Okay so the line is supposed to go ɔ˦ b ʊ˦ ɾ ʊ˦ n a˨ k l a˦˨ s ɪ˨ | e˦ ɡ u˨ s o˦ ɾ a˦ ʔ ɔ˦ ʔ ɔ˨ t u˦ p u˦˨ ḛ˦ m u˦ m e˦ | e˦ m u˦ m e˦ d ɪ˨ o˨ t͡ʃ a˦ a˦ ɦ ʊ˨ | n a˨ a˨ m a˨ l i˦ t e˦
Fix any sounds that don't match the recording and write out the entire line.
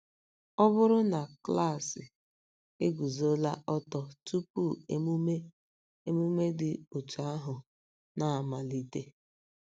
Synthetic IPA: ɔ˦ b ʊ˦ ɾ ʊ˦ n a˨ k l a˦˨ s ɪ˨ | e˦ ɡ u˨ z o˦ l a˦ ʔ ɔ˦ t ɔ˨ t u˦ p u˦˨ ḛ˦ m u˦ m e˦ | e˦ m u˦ m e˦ d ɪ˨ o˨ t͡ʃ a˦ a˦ ɦ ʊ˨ | n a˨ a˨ m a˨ l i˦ t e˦